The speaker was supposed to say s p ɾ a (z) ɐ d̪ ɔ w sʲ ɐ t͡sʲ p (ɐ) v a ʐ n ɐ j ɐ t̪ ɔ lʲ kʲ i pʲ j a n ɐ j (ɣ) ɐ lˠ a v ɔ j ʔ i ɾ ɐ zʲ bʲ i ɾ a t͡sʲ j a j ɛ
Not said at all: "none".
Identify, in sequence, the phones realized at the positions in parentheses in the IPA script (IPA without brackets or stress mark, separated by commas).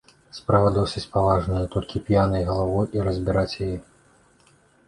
v, a, ɣ